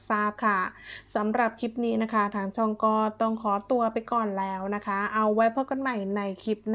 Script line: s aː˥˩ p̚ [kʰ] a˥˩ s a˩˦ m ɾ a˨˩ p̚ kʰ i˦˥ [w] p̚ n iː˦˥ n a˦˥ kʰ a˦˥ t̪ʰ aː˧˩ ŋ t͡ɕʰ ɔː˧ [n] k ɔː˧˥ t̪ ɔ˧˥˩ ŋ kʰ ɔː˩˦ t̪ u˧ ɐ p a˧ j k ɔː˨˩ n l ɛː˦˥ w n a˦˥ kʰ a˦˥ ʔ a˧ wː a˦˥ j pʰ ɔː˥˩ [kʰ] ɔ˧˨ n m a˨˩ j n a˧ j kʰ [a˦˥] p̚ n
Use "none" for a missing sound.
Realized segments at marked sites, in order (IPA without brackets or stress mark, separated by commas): kʰ, none, ŋ, k, i˦˥